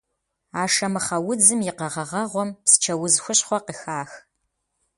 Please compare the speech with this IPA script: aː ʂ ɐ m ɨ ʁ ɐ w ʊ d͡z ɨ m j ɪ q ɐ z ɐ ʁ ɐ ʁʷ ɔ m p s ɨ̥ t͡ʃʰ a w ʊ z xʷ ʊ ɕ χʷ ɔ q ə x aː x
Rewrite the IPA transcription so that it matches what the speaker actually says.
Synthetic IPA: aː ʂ ɐ m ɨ χ ɐ w ʊ d͡z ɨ m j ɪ q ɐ ʁ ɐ ʁ ɐ ʁʷ ɔ m p s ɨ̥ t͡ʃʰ ɐ w ʊ z xʷ ʊ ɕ χʷ ɔ q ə x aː x